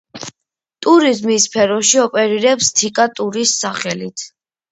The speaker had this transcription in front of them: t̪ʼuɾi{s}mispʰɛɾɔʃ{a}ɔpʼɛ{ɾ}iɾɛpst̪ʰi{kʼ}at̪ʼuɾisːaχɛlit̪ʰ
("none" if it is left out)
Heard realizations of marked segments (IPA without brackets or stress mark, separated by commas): z, i, ɾ, kʼ